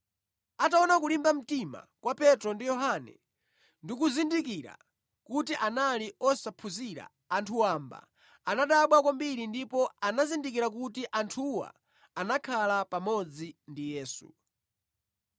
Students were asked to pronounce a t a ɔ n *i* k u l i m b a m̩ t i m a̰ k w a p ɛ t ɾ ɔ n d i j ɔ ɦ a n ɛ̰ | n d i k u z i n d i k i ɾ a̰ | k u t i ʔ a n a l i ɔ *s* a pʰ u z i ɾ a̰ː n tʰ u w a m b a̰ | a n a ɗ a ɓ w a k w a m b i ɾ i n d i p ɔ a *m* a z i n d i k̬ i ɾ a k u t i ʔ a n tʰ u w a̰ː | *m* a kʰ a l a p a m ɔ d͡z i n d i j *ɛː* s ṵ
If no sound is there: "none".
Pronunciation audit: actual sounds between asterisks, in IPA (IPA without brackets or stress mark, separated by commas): a, s, n, n, ɛː